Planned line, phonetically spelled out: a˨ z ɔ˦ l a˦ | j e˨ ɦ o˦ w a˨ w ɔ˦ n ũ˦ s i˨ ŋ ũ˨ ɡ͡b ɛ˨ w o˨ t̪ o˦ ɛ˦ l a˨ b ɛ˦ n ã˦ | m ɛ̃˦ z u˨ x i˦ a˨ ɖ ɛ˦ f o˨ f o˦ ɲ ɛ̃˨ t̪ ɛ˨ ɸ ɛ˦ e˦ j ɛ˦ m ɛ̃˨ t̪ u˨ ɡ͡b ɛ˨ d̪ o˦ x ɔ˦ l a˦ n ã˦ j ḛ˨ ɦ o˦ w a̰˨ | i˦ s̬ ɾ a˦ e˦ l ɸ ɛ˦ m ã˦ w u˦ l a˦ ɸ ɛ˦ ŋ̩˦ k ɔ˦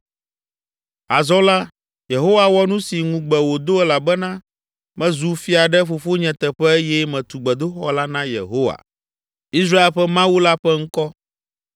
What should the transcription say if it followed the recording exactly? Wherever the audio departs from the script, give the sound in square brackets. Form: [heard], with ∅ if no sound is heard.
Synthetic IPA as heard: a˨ z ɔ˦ l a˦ | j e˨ ɦ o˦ w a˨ w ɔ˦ n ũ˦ s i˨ ŋ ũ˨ ɡ͡b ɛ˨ w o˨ [d̪] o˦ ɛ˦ l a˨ b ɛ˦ n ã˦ | m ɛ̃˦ z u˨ [f] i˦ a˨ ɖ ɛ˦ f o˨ f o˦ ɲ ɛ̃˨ t̪ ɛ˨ ɸ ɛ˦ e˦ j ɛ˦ m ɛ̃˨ t̪ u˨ ɡ͡b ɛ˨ d̪ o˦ x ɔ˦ l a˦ n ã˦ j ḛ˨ ɦ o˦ w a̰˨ | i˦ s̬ ɾ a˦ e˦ l ɸ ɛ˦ m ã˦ w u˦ l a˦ ɸ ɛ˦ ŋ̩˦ k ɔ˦